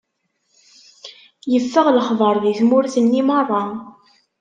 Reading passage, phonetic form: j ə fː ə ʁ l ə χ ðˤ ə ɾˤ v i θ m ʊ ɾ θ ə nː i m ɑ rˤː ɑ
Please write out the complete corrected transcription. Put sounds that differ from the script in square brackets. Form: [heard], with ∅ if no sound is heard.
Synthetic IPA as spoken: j ə fː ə ʁ l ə χ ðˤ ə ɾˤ [ð] i θ m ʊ ɾ θ ə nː i m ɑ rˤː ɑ